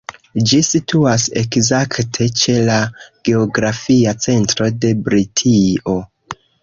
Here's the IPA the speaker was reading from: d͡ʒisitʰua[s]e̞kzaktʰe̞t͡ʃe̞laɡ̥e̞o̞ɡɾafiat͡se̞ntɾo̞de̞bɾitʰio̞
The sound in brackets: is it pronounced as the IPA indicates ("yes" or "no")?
yes